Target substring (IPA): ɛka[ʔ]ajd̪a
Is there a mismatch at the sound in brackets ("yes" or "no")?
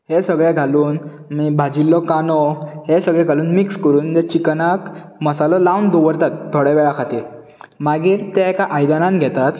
no